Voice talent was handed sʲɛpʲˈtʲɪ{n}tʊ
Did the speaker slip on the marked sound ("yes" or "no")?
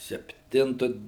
no